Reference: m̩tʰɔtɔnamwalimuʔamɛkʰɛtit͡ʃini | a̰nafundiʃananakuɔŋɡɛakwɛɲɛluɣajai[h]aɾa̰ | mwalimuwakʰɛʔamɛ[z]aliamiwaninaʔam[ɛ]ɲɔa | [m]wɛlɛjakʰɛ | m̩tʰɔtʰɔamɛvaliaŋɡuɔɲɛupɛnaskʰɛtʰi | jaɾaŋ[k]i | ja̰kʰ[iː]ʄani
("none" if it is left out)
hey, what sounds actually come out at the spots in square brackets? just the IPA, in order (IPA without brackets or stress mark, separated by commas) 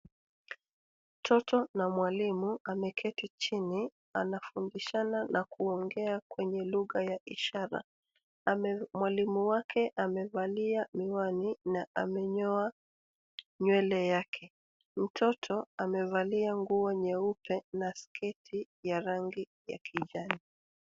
ʃ, v, ɛ, ɲ, ɡ, i